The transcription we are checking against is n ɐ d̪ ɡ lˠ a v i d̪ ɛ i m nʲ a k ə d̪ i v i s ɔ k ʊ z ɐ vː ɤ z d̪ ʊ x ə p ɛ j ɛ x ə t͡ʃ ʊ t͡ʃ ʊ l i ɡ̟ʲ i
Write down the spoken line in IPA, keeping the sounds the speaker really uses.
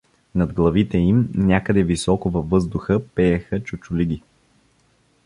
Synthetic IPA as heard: n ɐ d̪ ɡ lˠ ɐ v i t̪ ɛ i m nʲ a k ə d̪ ɛ v i s ɔ k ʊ v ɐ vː ɤ z d̪ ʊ x ə p ɛ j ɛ x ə t͡ʃ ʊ t͡ʃ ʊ l i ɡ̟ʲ i

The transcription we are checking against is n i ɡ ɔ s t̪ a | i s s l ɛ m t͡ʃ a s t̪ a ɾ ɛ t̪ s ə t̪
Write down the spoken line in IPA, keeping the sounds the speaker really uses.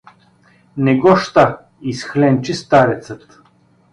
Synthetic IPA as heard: n ɛ ɡ ɔ ʃ t̪ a | i s x l ɛ n t͡ʃ i s t̪ a ɾ ɛ t̪ s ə t̪

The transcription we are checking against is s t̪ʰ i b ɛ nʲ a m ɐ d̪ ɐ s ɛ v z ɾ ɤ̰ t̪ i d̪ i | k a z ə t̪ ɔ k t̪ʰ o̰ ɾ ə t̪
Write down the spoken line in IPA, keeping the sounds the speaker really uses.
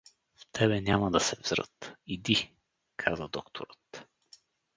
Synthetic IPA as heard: f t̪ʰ ɛ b ɛ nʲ a m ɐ d̪ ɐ s ɛ v z ɾ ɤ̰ t̪ i d̪ i | kʰ a z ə d̪ ɔ k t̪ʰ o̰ ɾ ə t̪

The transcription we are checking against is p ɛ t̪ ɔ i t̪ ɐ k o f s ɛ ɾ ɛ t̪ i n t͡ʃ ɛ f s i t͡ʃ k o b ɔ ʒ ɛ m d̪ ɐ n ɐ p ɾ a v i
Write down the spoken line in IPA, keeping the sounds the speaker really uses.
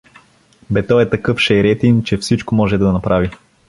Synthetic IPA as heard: b ɛ t̪ ɔ ɛ t̪ ɐ k ɤ f ʃ ɛ ɾ ɛ t̪ i n t͡ʃ ɛ f s i t͡ʃ k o m ɔ ʒ ɛ d̪ ɐ n ɐ p ɾ a v i

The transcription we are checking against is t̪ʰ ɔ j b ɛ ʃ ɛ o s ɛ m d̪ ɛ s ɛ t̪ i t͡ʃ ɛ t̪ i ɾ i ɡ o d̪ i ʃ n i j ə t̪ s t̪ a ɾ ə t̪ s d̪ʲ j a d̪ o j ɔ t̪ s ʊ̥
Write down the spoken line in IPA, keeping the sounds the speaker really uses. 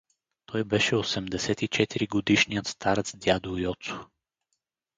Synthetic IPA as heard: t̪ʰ ɔ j b ɛ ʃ ɛ o s ɛ m d̪ ɛ s ɛ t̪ i t͡ʃ ɛ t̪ i ɾ i ɡ o d̪ i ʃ n i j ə t̪ s t̪ a ɾ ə t̪ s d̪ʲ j a d̪ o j ɔ t̪ s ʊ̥

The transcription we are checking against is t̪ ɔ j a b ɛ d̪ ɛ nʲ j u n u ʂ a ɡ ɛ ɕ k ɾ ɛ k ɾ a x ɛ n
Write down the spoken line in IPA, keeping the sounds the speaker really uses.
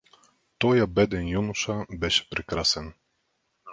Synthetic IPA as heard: t̪ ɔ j a b ɛ d̪ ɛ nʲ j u n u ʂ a b ɛ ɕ p ɾ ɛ k ɾ a s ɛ n

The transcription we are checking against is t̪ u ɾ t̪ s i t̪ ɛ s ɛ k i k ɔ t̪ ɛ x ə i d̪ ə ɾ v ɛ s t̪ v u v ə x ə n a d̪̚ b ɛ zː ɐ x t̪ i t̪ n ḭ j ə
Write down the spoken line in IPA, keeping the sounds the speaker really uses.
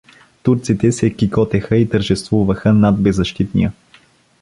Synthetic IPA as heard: t̪ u ɾ t̪ s i t̪ ɛ s ɛ k i k ɔ t̪ ɛ x ə i t̪ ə ɾ ʒ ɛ s t̪ v u v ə x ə n a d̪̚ b ɛ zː ɐ ʃ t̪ i t̪ n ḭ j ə

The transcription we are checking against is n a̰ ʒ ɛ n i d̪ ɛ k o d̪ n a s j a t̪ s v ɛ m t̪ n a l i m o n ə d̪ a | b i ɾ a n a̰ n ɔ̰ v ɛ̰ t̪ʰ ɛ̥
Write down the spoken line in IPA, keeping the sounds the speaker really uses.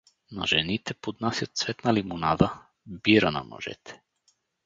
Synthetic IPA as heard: n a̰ ʒ ɛ n i t̪ ɛ p o d̪ n a s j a t̪ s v ɛ t̪ n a l i m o n a d̪ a | b i ɾ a n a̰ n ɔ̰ ʒ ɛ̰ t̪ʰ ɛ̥

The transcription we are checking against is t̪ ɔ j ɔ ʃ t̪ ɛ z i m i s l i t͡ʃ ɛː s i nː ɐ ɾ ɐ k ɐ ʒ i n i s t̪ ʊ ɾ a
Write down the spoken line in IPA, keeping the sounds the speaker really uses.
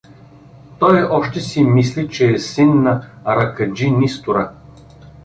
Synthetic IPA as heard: t̪ ɔ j ɔ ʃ t̪ ɛ s i m i s l i t͡ʃ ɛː s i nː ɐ ɾ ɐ k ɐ d͡ʒ i n i s t̪ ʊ ɾ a

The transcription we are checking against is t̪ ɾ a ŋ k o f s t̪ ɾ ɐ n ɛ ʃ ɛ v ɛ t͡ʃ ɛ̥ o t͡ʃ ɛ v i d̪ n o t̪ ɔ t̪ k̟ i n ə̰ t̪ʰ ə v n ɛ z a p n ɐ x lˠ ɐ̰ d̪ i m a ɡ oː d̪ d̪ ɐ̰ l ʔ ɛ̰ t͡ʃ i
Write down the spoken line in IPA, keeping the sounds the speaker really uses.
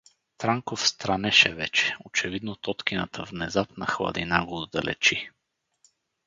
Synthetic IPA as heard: t̪ ɾ a ŋ k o f s t̪ ɾ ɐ n ɛ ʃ ɛ v ɛ t͡ʃ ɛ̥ o t͡ʃ ɛ v i d̪ n o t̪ ɔ t̪ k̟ i n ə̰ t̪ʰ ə v n ɛ z a p n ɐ x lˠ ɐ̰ d̪ i n a ɡ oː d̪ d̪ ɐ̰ l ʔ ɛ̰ t͡ʃ i

